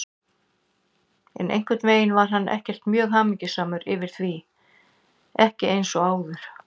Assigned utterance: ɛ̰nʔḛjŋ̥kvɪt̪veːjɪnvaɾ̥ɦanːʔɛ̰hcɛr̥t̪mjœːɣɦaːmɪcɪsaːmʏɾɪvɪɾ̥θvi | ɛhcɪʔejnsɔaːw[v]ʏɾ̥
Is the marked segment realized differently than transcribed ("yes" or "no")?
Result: yes